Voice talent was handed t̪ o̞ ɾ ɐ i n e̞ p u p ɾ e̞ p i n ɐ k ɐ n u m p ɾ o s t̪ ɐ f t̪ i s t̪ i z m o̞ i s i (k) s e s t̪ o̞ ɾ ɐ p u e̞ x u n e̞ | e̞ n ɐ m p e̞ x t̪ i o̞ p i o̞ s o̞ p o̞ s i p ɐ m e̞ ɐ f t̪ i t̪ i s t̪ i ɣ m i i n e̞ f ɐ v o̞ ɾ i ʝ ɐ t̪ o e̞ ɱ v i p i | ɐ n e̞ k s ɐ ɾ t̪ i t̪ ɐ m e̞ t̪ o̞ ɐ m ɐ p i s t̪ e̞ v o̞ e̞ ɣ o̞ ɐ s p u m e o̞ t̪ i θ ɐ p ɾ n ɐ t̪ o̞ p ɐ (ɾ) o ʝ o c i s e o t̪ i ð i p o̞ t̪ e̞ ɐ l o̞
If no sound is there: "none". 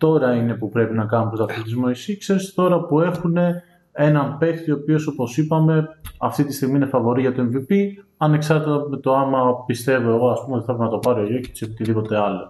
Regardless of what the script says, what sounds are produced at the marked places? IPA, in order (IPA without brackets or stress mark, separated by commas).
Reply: k, ɾ